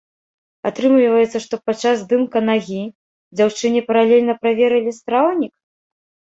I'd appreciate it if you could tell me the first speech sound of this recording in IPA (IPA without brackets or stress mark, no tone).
a